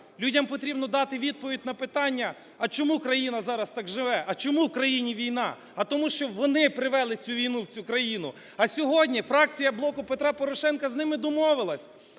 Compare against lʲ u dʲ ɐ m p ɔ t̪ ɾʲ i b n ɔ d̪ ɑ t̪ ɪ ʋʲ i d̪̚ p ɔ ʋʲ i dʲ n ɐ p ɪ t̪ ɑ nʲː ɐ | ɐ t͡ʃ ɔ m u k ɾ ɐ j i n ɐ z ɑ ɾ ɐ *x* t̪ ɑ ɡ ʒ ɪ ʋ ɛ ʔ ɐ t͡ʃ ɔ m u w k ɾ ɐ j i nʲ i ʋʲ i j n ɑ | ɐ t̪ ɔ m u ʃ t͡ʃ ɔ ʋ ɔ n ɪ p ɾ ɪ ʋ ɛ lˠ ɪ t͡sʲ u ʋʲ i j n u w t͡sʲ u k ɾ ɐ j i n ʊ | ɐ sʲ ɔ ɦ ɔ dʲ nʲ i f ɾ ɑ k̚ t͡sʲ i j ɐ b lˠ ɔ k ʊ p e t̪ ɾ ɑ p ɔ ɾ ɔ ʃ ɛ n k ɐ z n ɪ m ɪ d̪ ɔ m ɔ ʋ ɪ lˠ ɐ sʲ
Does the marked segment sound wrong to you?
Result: yes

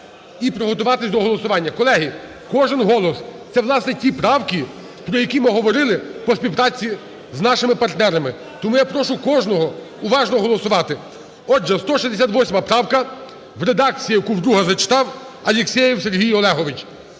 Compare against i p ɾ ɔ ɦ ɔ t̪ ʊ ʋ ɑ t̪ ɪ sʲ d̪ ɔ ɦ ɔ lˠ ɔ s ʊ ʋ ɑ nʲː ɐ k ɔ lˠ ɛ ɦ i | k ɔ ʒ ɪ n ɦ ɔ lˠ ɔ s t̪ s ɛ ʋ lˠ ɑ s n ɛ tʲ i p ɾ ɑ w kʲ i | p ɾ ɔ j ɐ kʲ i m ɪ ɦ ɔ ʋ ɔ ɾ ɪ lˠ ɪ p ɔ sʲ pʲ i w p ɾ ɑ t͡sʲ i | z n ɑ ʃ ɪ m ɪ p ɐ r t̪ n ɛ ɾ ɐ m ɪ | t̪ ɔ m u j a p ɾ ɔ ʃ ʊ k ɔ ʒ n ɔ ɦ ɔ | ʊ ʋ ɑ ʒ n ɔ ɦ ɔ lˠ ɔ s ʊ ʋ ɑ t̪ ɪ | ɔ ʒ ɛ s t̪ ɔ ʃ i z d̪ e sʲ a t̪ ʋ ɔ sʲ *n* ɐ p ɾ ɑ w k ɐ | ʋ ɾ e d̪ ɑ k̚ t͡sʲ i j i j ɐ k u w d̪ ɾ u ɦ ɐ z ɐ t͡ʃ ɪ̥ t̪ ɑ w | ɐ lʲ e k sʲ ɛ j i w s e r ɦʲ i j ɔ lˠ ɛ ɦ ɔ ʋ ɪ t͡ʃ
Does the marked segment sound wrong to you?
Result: yes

